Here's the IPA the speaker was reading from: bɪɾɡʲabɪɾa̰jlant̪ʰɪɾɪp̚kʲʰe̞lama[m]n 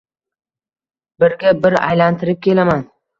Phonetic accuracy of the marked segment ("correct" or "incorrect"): incorrect